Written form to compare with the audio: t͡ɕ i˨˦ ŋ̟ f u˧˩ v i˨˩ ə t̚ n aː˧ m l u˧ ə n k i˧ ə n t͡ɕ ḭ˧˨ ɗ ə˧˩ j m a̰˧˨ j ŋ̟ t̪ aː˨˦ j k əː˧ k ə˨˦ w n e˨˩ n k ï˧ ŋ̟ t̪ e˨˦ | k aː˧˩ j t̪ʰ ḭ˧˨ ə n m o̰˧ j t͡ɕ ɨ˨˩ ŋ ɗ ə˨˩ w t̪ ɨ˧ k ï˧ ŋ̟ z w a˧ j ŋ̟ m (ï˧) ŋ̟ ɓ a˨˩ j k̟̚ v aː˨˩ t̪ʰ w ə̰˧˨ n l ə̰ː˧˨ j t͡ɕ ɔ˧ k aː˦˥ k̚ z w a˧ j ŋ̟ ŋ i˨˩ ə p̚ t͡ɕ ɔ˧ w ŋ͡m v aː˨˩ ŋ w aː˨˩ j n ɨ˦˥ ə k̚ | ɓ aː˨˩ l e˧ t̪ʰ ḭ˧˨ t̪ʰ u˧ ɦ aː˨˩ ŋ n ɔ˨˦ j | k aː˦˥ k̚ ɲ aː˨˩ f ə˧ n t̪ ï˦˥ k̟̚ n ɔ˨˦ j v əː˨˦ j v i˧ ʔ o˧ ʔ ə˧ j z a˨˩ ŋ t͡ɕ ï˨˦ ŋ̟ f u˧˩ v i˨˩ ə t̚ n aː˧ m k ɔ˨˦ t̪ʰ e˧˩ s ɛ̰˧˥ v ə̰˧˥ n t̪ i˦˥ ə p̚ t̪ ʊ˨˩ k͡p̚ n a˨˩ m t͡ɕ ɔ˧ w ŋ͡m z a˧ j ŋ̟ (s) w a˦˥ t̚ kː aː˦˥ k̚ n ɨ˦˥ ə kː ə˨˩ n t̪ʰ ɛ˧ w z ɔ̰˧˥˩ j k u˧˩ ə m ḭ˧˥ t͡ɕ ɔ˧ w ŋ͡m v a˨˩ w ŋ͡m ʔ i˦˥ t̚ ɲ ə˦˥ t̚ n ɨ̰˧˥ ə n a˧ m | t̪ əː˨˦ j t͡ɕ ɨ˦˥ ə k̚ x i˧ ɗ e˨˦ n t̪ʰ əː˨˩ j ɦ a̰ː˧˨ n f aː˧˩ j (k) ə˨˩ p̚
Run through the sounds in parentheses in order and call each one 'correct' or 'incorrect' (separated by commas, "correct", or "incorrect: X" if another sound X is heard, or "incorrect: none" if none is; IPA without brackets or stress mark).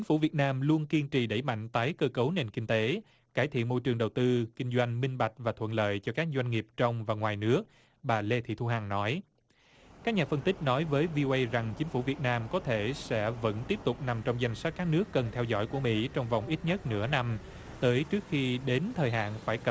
correct, correct, correct